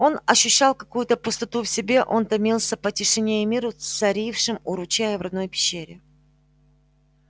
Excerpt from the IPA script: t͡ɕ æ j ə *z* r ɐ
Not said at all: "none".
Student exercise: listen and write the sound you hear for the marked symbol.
v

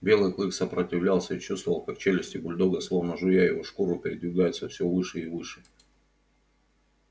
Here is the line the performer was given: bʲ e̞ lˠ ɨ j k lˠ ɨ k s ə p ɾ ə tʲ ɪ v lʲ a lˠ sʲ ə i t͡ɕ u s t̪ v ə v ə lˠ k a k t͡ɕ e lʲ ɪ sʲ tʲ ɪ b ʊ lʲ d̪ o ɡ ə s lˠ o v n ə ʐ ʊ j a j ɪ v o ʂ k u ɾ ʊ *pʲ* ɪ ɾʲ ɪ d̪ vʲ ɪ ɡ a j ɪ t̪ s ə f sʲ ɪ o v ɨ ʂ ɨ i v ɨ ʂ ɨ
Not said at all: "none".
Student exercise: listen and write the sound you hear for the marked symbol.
pʲ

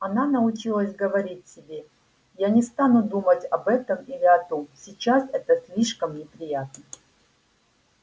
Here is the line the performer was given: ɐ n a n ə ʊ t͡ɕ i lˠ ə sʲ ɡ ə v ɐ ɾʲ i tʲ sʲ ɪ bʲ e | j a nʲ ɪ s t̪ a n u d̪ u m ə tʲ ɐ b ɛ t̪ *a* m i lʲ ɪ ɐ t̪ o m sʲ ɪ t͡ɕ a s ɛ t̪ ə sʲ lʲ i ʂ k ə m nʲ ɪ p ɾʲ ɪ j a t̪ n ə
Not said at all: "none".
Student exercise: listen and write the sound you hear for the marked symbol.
ə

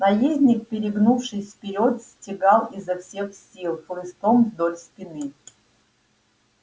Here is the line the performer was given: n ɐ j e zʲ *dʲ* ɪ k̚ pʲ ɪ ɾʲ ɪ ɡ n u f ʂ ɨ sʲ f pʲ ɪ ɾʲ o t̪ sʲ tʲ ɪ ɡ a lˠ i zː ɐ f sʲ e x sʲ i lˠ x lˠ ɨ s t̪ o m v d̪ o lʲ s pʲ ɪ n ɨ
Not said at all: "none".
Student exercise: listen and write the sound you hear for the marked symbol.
nʲ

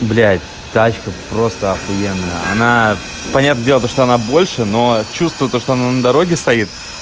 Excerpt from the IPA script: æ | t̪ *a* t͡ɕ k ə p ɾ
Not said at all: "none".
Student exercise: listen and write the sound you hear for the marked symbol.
a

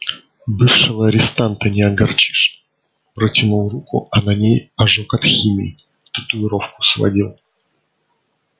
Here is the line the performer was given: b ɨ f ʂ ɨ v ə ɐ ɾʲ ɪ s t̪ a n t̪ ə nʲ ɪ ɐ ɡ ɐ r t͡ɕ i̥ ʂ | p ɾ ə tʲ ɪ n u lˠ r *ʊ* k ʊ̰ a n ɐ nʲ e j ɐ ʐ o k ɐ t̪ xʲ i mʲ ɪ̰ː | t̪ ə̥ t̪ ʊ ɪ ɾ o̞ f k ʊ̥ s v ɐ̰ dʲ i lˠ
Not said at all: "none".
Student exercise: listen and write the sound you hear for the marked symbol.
u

